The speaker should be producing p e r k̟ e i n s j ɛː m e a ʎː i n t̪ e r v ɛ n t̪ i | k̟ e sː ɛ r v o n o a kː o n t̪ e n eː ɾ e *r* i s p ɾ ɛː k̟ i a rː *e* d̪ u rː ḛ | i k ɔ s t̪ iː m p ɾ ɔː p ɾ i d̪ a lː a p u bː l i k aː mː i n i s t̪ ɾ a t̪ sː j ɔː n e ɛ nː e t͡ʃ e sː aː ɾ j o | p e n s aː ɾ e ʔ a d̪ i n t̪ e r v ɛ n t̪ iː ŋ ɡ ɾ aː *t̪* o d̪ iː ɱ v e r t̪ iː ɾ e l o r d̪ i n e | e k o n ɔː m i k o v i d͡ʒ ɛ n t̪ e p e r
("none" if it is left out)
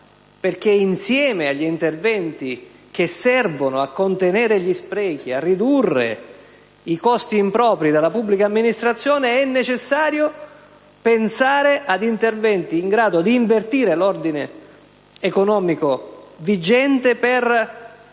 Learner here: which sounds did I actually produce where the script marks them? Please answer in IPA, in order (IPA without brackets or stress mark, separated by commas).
ʎ, i, d̪